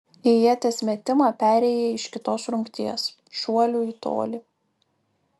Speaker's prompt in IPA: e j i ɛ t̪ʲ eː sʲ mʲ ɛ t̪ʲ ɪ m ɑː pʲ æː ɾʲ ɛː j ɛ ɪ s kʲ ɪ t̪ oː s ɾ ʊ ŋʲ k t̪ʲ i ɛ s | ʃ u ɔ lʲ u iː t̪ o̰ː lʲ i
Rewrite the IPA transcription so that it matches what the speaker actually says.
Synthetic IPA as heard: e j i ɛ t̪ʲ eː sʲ mʲ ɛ t̪ʲ ɪ m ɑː pʲ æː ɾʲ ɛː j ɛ ɪ ʃ kʲ ɪ t̪ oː s ɾ ʊ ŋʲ k t̪ʲ i ɛ s | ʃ u ɔ lʲ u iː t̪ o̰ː lʲ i

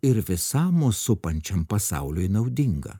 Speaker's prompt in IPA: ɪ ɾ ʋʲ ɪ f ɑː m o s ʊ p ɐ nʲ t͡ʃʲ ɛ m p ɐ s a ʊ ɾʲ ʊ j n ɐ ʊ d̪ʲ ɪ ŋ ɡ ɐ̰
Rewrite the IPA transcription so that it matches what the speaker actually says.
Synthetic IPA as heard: ɪ ɾ ʋʲ ɪ s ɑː m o s ʊ p ɐ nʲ t͡ʃʲ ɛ m p ɐ s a ʊ lʲ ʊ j n ɐ ʊ d̪ʲ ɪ ŋ ɡ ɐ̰

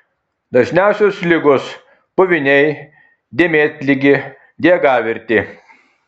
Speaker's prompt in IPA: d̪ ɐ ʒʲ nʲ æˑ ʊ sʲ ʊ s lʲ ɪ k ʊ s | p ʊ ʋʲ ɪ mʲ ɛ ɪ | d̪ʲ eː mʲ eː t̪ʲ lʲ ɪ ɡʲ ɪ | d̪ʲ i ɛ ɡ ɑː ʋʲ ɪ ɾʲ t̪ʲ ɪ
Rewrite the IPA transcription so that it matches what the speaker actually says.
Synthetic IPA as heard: d̪ ɐ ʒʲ nʲ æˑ ʊ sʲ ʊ s lʲ ɪ ɡ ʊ s | p ʊ ʋʲ ɪ nʲ ɛ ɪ | d̪ʲ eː mʲ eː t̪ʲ lʲ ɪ ɡʲ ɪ | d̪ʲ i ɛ ɡ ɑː ʋʲ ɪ ɾʲ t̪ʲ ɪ

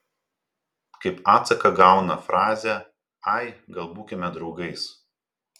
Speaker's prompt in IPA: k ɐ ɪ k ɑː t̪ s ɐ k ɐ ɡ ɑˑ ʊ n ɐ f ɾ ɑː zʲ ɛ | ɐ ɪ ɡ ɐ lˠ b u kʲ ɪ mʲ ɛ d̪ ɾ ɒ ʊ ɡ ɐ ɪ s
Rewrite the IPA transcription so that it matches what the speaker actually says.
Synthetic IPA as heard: k ɐ ɪ p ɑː t̪ s ɐ k ɐ ɡ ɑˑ ʊ n ɐ f ɾ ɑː zʲ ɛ | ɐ ɪ ɡ ɐ lˠ b uː kʲ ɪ mʲ ɛ d̪ ɾ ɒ ʊ ɡ ɐ ɪ s

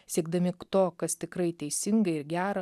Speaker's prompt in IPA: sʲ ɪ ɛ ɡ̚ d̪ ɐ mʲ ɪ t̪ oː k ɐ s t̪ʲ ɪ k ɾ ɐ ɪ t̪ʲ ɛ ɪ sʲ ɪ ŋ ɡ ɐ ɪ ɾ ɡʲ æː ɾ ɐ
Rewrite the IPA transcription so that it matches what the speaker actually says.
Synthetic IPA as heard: sʲ i ɛ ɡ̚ d̪ ɐ mʲ ɪ t̪ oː k ɐ s t̪ʲ ɪ k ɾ ɐ ɪ t̪ʲ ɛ ɪ sʲ ɪ ŋ ɡ ɐ ɪ ɾ ɡʲ æː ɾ ɐ

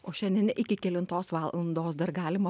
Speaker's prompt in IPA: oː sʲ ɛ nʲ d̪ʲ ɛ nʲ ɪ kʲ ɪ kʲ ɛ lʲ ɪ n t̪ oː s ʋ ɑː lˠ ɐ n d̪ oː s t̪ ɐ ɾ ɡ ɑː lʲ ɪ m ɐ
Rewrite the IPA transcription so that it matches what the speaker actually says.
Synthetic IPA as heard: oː ʃʲ ɛ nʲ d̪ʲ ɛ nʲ ɪ kʲ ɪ kʲ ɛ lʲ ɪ n t̪ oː s ʋ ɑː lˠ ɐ n d̪ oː s d̪ ɐ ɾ ɡ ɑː lʲ ɪ m ɐ

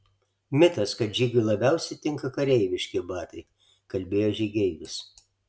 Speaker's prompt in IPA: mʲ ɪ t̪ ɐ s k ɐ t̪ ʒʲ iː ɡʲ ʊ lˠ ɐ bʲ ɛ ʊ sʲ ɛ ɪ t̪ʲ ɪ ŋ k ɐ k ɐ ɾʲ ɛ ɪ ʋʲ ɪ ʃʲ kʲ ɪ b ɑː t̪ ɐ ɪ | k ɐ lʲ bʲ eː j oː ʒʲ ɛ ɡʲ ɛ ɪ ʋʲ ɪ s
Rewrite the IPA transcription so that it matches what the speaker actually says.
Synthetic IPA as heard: mʲ ɪ t̪ ɐ s k ɐ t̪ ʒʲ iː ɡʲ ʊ lˠ ɐ bʲ ɛ ʊ sʲ ɛ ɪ t̪ʲ ɪ ŋ k ɐ k ɐ ɾʲ ɛ ɪ ʋʲ ɪ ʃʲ kʲ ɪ b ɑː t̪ ɐ ɪ | k ɐ lʲ bʲ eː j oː ʒʲ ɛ ɡʲ ɛ ɪ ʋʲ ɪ s

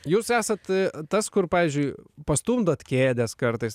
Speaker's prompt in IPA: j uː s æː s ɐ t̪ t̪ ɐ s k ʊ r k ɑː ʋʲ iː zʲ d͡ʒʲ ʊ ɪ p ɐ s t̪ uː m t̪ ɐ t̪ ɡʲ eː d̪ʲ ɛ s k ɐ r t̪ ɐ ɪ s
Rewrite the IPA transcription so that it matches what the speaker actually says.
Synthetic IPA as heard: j uː s æː s ɐ t̪ t̪ ɐ s k ʊ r p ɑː ʋʲ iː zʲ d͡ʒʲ ʊ ɪ p ɐ s t̪ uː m d̪ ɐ t̪ kʲ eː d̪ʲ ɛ s k ɐ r t̪ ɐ ɪ s

